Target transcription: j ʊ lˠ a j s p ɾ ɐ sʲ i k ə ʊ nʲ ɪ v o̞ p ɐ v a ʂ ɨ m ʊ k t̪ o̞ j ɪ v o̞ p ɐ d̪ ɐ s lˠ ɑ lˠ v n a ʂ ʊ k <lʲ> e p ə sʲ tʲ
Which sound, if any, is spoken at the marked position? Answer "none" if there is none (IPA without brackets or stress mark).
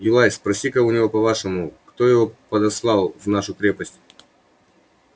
ɾʲ